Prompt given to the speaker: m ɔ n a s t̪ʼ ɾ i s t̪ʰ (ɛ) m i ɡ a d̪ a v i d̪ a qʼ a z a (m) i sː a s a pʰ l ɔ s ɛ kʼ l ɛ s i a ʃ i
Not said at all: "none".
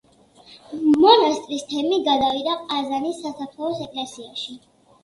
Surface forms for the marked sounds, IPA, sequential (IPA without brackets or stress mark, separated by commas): ɛ, n